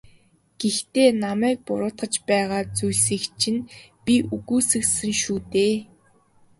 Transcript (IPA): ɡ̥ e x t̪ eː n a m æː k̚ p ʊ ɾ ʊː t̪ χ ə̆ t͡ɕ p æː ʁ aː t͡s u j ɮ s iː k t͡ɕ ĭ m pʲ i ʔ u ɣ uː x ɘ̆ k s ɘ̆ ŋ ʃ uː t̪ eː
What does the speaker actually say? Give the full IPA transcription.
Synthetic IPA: ɡ̥ e x t̪ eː n a m æː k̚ p ʊ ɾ ʊː t̪ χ ə̆ t͡ɕ p æː ʁ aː t͡s u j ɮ s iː k t͡ɕʰ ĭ n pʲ i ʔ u ɣ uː s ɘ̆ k s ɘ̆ ŋ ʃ uː t̪ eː

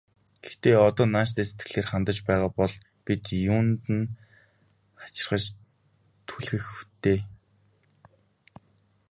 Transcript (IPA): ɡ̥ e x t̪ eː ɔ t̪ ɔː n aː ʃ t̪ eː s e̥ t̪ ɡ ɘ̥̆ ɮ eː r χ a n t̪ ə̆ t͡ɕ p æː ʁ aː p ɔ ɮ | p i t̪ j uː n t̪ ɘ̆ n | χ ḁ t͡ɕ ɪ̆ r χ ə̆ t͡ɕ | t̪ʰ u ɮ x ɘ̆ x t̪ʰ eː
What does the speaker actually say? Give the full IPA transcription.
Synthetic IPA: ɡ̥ e x t̪ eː ɔ t̪ ɔː n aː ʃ t̪ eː s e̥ t̪ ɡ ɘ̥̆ ɮ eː r χ a n t̪ ə̆ t͡ɕ p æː ʁ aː p ɔ ɮ | p i t̪ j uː n t̪ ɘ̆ n | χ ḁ t͡ɕ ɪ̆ r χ ə̆ t͡ɕ | t̪ʰ u ɮ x ɘ̆ x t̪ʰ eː

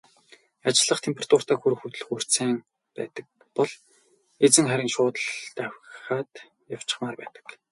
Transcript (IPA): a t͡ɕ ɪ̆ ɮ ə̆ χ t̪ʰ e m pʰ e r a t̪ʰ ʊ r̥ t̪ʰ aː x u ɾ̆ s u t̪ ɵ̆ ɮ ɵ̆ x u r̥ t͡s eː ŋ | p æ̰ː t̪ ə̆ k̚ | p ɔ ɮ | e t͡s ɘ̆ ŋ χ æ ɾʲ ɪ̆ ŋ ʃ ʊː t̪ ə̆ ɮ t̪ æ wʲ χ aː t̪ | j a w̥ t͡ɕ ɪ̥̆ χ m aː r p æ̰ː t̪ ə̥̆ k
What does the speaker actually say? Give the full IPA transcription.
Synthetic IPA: a t͡ɕ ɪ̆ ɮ ə̆ χ t̪ʰ e m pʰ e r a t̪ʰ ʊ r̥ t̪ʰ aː x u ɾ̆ x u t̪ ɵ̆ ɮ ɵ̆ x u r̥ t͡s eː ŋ | p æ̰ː t̪ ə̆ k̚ | p ɔ ɮ | e t͡s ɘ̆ ŋ χ æ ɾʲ ɪ̆ ŋ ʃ ʊː t̪ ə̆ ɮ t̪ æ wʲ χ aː t̪ | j a w̥ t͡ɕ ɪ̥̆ χ m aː r p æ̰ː t̪ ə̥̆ k

